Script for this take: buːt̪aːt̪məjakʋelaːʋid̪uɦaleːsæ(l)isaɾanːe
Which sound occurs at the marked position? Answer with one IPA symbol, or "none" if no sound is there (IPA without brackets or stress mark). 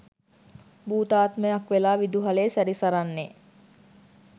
ɾ